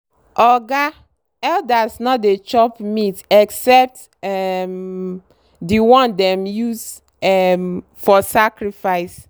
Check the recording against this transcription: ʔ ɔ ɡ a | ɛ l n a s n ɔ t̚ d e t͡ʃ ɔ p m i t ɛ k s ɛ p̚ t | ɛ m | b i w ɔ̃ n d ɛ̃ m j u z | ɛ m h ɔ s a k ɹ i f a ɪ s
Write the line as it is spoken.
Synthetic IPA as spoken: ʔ ɔ ɡ a | ɛ l d a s n ɔ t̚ d e t͡ʃ ɔ p m i t ɛ k s ɛ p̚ t | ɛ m | d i w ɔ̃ n d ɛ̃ m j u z | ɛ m f ɔ s a k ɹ i f a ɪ s